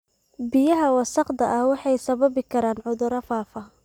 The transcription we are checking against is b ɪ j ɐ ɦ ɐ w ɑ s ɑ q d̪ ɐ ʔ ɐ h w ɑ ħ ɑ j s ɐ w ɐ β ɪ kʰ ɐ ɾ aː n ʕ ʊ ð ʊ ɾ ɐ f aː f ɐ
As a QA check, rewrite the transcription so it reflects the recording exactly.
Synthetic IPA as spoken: b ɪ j ɐ ɦ ɐ w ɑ s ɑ q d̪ ɐ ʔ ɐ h w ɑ ħ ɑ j s ɐ β ɐ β ɪ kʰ ɐ ɾ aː n ʕ ʊ ð ʊ ɾ ɐ f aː f ɐ